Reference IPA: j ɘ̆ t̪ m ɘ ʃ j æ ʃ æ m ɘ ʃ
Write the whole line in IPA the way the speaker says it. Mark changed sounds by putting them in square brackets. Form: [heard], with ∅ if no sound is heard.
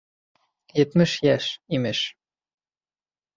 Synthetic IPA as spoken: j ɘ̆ t̪ m ɘ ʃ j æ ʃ [i] m ɘ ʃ